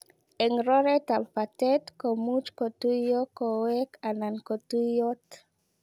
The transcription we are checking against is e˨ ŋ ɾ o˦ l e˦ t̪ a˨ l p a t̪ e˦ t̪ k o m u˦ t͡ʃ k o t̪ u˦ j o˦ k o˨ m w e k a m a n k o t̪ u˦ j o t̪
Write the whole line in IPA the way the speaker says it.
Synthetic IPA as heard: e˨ ŋ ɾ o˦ ɾ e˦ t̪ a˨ l p a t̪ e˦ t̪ k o m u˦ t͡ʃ k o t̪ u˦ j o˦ k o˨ w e k a n a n k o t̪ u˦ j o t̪